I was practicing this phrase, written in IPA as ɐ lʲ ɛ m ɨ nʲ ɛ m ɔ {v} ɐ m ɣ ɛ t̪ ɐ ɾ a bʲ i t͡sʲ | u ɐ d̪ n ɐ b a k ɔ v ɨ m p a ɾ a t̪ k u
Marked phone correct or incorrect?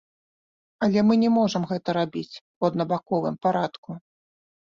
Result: incorrect